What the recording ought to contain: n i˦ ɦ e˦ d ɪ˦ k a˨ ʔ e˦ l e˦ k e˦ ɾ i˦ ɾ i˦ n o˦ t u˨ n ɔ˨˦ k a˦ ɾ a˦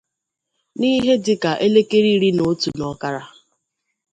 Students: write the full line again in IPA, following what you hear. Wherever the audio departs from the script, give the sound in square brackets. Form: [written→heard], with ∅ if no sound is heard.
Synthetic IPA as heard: n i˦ ɦ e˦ d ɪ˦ k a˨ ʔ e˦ l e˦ k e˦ ɾ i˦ ɾ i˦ n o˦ t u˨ n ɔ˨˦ k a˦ ɾ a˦